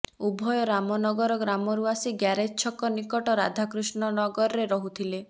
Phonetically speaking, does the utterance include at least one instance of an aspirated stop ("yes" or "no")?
yes